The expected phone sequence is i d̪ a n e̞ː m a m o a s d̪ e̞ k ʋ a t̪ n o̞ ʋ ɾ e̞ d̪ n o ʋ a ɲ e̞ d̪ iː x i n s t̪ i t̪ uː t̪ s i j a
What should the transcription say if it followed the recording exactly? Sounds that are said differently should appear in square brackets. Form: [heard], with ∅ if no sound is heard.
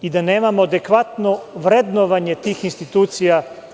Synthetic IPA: i d̪ a n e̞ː m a m o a [∅] d̪ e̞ k ʋ a t̪ n o̞ ʋ ɾ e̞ d̪ n o ʋ a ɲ e̞ [t̪] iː x i n s t̪ i t̪ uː t̪ s i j a